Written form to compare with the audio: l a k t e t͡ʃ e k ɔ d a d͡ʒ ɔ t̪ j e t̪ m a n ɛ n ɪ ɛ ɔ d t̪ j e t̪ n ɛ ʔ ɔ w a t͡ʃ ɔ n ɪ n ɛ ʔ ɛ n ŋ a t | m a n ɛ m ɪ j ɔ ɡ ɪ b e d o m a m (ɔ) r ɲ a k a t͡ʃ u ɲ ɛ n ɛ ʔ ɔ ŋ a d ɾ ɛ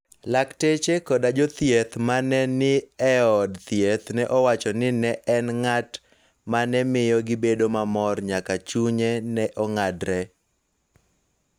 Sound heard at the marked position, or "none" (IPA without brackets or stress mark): ɔ